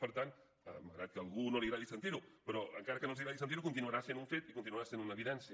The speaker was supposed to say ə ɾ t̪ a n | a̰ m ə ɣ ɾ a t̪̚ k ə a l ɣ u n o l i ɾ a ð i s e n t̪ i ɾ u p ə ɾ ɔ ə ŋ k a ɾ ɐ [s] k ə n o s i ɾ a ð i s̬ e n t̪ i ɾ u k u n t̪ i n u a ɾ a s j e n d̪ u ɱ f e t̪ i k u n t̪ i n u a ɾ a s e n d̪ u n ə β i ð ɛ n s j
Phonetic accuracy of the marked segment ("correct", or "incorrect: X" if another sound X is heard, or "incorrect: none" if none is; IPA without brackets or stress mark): incorrect: none